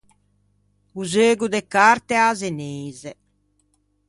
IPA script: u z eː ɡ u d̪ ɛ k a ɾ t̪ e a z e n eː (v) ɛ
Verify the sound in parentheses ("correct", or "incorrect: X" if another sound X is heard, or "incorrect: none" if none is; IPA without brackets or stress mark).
incorrect: z